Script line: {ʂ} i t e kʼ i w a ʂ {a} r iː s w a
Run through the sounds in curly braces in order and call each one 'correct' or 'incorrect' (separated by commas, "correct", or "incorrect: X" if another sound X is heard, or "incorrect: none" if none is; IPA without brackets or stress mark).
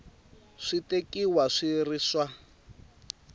correct, incorrect: i